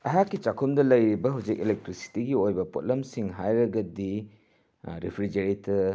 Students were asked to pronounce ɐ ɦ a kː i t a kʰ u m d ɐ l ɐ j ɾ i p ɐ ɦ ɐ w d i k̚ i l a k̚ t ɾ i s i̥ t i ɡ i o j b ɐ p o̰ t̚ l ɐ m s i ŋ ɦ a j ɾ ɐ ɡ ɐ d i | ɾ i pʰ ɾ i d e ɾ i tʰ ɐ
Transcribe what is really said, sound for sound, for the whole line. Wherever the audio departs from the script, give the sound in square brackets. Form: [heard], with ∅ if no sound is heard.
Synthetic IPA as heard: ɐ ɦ a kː i [t͡ʃ] a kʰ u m d ɐ l ɐ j ɾ i [b] ɐ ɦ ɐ w [d͡ʒ] i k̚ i l [e] k̚ t ɾ i s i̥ t i ɡ i o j b ɐ p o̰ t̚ l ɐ m s i ŋ ɦ a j ɾ ɐ ɡ ɐ d i | ɾ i pʰ ɾ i [d͡ʒ] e ɾ i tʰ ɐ